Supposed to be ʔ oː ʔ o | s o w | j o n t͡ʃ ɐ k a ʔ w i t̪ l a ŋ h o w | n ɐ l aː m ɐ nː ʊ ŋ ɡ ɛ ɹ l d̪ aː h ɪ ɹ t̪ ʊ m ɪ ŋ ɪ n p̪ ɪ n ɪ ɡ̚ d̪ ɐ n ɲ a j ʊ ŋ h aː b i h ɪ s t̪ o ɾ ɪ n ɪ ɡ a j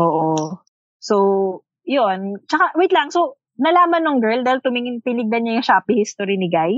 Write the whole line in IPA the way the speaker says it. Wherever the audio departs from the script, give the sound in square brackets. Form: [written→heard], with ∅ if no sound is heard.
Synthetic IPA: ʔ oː ʔ o | s o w | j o n t͡ʃ ɐ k a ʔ w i t̪ l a ŋ [h→s] o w | n ɐ l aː m ɐ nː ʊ ŋ ɡ ɛ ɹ l d̪ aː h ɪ [ɹ→l] t̪ ʊ m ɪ ŋ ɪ n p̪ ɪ n ɪ ɡ̚ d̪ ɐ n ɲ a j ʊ ŋ [h→ʃ] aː [b→p] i h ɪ s t̪ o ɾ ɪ n ɪ ɡ a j